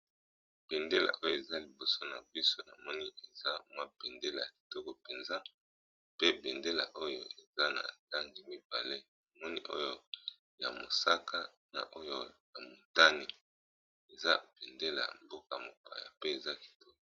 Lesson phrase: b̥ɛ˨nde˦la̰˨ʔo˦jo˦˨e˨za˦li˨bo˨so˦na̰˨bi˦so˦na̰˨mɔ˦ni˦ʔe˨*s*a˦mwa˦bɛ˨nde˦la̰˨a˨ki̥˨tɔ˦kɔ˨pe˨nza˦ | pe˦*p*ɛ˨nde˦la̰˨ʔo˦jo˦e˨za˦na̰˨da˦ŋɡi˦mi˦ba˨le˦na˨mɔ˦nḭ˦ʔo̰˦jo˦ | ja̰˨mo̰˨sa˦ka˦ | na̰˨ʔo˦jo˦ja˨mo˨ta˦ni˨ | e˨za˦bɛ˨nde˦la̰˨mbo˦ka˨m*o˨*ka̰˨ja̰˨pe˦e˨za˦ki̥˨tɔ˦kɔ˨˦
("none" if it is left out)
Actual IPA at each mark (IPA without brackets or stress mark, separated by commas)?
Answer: z, b, o˨